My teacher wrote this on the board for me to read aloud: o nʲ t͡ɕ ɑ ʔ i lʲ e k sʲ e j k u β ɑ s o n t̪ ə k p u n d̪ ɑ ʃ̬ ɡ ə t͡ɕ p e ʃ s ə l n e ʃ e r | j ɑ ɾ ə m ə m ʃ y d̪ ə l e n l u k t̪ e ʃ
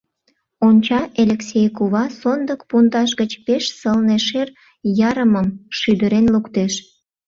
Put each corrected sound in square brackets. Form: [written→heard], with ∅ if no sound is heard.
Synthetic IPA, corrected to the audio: o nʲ t͡ɕ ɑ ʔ [i→e] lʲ e k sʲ e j k u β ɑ s o n [t̪→d̪] ə k p u n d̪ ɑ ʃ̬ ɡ ə t͡ɕ p e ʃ s ə l n e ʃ e r | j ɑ ɾ ə m ə m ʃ y d̪ ə [l→ɾ] e n l u k t̪ e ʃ